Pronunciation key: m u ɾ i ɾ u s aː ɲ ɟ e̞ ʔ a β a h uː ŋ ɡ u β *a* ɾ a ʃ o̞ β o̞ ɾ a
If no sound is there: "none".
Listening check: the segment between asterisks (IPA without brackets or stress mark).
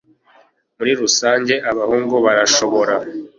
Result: a